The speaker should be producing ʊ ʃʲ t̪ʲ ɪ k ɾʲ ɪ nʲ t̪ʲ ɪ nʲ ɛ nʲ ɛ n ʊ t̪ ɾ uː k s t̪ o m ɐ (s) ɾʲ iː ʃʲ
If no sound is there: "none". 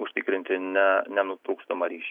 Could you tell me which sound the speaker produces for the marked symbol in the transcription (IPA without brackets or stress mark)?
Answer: none